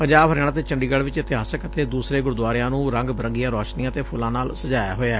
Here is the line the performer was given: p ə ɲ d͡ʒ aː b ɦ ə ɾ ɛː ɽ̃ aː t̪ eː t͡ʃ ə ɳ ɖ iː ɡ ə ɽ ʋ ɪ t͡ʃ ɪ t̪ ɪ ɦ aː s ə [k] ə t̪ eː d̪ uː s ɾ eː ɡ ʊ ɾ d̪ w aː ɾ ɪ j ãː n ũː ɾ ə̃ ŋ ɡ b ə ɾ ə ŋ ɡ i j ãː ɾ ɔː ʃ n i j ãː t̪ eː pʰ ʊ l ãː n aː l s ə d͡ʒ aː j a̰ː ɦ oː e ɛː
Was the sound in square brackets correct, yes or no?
yes